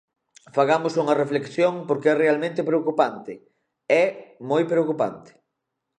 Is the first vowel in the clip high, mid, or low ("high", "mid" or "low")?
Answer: low